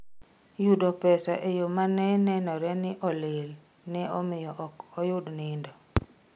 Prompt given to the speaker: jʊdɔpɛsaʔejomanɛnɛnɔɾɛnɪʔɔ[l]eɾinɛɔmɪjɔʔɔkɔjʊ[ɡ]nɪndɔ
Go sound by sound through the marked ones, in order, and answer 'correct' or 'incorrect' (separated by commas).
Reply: correct, incorrect